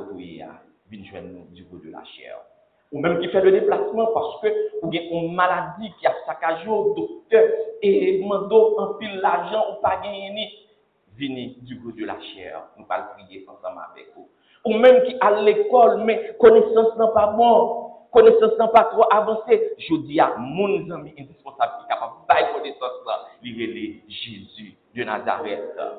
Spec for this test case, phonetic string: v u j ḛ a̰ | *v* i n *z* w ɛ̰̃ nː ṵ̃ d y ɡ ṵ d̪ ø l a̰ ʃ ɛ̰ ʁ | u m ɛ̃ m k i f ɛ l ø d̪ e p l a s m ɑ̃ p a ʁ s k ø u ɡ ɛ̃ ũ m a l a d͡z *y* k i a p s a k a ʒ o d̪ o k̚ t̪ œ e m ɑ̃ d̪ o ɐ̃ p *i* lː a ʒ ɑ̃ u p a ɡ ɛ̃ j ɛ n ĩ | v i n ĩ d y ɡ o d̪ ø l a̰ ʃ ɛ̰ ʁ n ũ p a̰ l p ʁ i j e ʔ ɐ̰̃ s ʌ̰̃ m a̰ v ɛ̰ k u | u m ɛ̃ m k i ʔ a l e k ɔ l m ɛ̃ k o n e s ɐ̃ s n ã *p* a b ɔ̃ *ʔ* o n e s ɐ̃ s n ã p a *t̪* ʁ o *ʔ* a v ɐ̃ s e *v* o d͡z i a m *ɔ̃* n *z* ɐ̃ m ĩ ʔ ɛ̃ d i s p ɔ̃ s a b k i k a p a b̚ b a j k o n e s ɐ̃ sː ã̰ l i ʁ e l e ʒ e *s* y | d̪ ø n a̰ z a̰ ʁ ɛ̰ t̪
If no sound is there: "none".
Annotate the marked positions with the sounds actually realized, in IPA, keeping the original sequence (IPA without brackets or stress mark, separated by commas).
v, ʒ, i, i, p, k, t̪, ʔ, ʒ, ũ, z, z